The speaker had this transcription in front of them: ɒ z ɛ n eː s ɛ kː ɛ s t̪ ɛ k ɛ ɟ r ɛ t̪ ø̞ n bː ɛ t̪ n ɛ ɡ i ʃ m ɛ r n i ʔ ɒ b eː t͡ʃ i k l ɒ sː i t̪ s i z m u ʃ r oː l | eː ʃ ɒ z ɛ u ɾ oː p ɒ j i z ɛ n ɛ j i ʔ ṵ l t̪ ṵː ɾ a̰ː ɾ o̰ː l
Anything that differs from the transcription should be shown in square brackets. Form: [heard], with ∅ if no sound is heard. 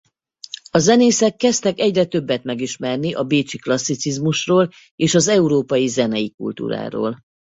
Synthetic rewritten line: ɒ z ɛ n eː s ɛ kː ɛ s t̪ ɛ k ɛ ɟ r ɛ t̪ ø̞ [∅] bː ɛ t̪ [m] ɛ ɡ i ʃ m ɛ r n i ʔ ɒ b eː t͡ʃ i k l ɒ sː i t̪ s i z m u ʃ r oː l | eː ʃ ɒ z ɛ u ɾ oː p ɒ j i z ɛ n ɛ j i [k] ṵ l t̪ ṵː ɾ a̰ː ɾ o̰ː l